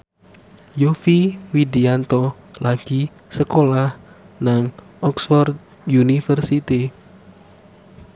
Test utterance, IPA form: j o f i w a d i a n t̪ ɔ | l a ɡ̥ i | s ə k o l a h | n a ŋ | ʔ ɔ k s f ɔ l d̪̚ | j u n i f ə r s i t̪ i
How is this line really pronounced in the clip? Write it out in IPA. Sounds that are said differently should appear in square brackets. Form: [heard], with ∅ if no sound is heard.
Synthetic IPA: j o f i w [i] d i a n t̪ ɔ | l a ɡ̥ i | s ə k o l a h | n a ŋ | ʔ ɔ k s f ɔ [r] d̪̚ | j u n i f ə r s i t̪ i